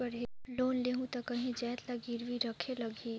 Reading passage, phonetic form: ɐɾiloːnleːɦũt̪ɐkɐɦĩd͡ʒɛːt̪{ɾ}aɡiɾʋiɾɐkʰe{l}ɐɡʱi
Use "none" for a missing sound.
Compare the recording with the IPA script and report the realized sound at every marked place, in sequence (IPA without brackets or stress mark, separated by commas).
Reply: l, l